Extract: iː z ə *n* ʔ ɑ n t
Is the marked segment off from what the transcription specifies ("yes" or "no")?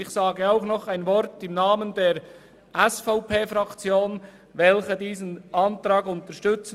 no